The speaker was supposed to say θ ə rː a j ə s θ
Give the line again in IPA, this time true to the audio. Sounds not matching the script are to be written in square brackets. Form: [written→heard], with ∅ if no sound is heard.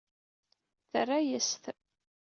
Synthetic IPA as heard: θ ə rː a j ə s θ